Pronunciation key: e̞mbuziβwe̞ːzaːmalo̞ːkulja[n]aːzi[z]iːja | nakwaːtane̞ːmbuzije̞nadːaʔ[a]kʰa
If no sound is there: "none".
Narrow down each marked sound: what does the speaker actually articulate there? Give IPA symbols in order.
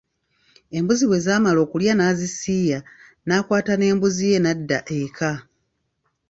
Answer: n, s, e

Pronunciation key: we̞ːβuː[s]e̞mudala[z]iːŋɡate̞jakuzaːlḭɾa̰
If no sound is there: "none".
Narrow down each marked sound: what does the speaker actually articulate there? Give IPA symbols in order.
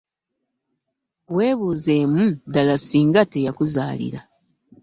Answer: z, s

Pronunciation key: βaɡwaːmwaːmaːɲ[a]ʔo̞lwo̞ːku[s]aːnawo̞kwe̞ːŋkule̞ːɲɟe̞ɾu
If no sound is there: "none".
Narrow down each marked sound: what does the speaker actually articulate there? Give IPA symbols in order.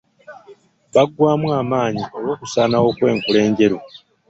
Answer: i, s

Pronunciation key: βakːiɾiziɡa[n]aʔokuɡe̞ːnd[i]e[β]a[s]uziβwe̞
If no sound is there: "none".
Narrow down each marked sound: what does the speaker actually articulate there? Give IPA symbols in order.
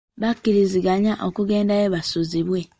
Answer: ɲ, a, β, s

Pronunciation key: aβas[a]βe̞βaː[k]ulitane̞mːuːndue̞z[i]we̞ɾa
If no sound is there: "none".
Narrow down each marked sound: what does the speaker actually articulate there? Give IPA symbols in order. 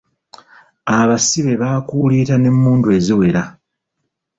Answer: i, k, i

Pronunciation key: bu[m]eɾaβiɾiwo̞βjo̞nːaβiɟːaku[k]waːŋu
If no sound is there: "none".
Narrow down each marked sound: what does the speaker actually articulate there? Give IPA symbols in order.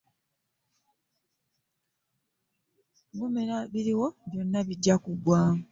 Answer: m, ɡ

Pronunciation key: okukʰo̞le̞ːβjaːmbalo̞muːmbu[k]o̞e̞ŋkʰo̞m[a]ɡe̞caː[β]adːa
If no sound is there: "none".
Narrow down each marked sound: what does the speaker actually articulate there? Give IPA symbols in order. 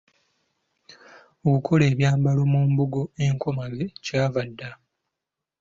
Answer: ɡ, a, v

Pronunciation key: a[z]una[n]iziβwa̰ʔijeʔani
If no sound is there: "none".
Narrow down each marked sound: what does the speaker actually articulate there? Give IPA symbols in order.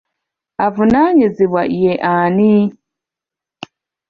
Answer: v, ɲ

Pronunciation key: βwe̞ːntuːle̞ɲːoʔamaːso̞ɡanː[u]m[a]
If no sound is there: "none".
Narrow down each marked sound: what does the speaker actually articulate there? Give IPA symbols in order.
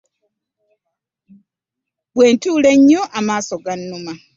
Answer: u, a

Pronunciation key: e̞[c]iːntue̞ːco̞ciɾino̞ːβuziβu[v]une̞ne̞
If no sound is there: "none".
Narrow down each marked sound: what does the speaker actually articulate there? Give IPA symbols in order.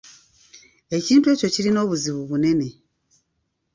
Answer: c, β

